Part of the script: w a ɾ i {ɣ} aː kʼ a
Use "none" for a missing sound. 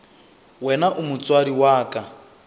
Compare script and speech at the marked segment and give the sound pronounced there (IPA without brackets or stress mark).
w